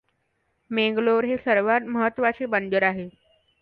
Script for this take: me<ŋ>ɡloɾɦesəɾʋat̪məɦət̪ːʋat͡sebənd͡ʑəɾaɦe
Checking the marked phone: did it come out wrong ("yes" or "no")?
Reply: no